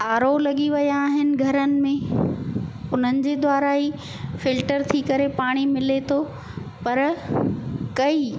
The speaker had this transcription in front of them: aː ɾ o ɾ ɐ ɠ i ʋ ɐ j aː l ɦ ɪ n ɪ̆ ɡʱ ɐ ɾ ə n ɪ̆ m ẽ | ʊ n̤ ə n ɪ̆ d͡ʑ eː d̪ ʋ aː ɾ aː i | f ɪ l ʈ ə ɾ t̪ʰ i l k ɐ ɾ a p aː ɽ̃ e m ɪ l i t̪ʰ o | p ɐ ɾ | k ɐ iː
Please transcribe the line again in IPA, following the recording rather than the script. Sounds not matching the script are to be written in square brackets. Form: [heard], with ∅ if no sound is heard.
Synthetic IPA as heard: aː ɾ o [l] ɐ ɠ i ʋ ɐ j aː [∅] ɦ ɪ n ɪ̆ ɡʱ ɐ ɾ ə n ɪ̆ m ẽ | ʊ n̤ ə n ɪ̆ d͡ʑ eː d̪ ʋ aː ɾ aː i | f ɪ l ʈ ə ɾ t̪ʰ i [∅] k ɐ ɾ [e] p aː ɽ̃ [i] m ɪ l [e] t̪ʰ o | p ɐ ɾ | k ɐ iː

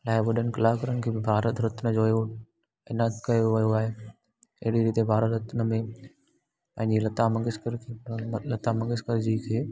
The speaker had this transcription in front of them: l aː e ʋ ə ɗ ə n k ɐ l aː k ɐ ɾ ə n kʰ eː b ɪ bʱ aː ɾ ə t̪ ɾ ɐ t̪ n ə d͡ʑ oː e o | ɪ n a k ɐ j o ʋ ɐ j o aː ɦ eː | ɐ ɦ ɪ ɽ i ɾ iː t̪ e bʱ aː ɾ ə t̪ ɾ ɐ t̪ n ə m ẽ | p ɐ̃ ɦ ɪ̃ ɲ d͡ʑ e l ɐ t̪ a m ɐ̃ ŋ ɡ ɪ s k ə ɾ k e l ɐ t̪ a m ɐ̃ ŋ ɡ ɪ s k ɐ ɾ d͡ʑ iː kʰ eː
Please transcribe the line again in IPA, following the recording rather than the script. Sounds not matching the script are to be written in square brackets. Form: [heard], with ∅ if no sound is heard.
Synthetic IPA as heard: l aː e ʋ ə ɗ ə n k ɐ l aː k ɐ ɾ ə n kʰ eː b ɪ bʱ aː ɾ ə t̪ ɾ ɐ t̪ n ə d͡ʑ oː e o | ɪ n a k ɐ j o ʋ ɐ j o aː ɦ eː | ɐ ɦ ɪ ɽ i ɾ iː t̪ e bʱ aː ɾ ə t̪ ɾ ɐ t̪ n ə m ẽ | p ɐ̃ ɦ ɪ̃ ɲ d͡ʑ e l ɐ t̪ a m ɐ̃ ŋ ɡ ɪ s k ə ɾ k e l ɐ t̪ a m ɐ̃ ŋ ɡ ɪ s k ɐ ɾ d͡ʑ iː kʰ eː

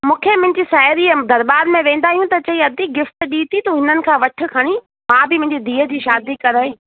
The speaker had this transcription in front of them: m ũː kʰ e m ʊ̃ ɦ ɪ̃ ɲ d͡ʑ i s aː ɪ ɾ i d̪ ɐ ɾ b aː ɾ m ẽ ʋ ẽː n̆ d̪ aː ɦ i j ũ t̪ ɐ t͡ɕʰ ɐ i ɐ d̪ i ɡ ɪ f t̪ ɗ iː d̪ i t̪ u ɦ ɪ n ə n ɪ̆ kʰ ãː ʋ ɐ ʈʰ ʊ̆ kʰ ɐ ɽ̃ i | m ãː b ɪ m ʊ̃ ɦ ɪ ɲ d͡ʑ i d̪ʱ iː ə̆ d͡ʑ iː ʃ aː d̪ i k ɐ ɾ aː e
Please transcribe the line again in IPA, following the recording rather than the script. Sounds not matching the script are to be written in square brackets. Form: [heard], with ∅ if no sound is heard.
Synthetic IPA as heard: m ũː kʰ e m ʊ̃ ɦ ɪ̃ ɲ d͡ʑ i s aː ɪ ɾ i d̪ ɐ ɾ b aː ɾ m ẽ ʋ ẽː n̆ d̪ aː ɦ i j ũ t̪ ɐ [t͡ɕ] ɐ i ɐ d̪ i ɡ ɪ f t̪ ɗ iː [t̪] i t̪ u ɦ ɪ n ə n ɪ̆ kʰ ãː ʋ ɐ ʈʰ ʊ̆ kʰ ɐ ɽ̃ i | m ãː b ɪ m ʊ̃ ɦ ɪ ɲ d͡ʑ i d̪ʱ iː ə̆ d͡ʑ iː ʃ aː d̪ i k ɐ ɾ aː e

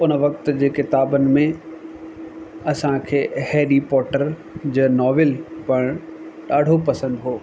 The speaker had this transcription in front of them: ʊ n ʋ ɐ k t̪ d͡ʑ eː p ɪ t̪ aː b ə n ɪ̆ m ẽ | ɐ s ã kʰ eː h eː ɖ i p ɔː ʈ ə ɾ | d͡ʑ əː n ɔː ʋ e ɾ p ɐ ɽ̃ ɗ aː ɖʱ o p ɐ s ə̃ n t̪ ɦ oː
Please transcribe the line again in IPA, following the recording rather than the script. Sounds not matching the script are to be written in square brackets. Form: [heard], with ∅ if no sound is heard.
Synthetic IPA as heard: ʊ n ʋ ɐ k t̪ d͡ʑ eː [k] ɪ t̪ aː b ə n ɪ̆ m ẽ | ɐ s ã kʰ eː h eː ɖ i p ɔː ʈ ə ɾ | d͡ʑ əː n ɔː ʋ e [l] p ɐ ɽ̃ ɗ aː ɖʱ o p ɐ s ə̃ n [d̪] ɦ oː

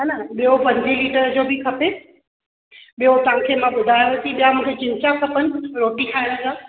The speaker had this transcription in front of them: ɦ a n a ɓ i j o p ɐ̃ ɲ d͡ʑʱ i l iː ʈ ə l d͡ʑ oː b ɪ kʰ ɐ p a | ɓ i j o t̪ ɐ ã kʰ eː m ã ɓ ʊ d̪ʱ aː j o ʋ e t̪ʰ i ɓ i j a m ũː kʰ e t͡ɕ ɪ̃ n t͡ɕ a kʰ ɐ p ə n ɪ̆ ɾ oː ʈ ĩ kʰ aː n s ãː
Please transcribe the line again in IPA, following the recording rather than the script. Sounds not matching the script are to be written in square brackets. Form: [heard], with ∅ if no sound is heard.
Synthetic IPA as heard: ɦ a n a ɓ i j o p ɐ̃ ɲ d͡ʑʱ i l iː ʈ ə [ɾ] d͡ʑ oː b ɪ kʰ ɐ p [e] | ɓ i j o t̪ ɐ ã kʰ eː m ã ɓ ʊ d̪ʱ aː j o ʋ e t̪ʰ i ɓ i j a m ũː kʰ e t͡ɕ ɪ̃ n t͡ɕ a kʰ ɐ p ə n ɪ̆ ɾ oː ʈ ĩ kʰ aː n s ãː

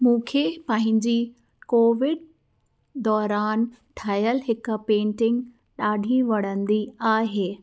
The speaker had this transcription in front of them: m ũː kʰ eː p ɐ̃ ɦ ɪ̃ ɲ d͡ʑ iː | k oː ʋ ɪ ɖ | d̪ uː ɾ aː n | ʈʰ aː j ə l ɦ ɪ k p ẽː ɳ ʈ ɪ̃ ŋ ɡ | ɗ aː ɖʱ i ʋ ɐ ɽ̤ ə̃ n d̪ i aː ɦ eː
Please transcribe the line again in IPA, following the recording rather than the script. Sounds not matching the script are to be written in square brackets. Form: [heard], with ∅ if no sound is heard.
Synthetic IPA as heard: m ũː kʰ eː p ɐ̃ ɦ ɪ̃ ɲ d͡ʑ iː | k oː ʋ ɪ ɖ | d̪ [ɔː] ɾ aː n | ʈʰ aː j ə l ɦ ɪ k p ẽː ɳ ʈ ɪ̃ ŋ ɡ | ɗ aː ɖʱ i ʋ ɐ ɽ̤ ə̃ n d̪ i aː ɦ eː

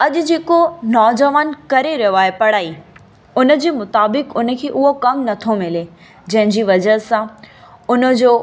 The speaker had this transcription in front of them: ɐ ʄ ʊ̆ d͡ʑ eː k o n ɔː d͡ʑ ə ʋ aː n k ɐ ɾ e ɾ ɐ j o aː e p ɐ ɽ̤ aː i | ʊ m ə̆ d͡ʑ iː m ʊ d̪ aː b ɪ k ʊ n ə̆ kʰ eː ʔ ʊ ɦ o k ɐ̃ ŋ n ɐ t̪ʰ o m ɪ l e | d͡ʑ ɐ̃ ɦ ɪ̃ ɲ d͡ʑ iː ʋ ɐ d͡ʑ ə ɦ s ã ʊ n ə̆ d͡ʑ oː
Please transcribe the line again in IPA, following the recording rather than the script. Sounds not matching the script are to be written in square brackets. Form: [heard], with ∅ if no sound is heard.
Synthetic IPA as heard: ɐ ʄ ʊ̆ d͡ʑ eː k o n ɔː d͡ʑ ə ʋ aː n k ɐ ɾ e ɾ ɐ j o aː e p ɐ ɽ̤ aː i | ʊ [n] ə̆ d͡ʑ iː m ʊ [t̪] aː b ɪ k ʊ n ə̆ kʰ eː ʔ ʊ ɦ o k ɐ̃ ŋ n ɐ t̪ʰ o m ɪ l e | d͡ʑ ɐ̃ ɦ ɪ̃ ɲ d͡ʑ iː ʋ ɐ d͡ʑ ə ɦ s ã ʊ n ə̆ d͡ʑ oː

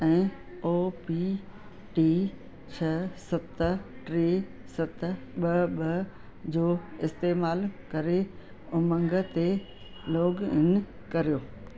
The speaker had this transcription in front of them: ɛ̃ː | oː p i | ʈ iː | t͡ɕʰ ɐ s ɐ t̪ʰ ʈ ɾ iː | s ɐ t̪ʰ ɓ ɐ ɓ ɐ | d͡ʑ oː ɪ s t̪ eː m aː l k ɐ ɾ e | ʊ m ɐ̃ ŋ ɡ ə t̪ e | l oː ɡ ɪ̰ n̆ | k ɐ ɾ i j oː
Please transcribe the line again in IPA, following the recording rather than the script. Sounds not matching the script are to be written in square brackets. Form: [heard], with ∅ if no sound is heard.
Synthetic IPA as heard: ɛ̃ː | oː p i | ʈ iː | t͡ɕʰ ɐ s ɐ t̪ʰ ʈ ɾ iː | s ɐ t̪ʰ ɓ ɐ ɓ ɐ | d͡ʑ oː ɪ s t̪ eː m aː l k ɐ ɾ e | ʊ m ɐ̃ ŋ ɡ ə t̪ e | l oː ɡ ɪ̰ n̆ | k ɐ ɾ i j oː

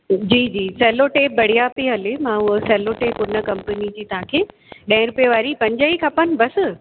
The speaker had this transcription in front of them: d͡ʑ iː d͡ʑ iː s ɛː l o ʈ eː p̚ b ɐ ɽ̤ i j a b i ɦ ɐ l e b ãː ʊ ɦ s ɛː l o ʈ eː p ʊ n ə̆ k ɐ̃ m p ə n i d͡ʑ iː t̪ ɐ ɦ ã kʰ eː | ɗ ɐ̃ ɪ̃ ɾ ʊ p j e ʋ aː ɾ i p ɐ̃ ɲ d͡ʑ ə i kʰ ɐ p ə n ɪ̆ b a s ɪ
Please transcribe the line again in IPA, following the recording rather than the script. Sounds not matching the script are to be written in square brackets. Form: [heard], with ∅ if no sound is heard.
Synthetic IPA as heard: d͡ʑ iː d͡ʑ iː s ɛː l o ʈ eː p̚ b ɐ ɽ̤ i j a [p] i ɦ ɐ l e [m] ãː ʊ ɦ s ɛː l o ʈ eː p ʊ n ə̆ k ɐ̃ m p ə n i d͡ʑ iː t̪ ɐ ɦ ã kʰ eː | ɗ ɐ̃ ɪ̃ ɾ ʊ p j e ʋ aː ɾ i p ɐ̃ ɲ d͡ʑ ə i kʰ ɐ p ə n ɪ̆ b [ɐ] s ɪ

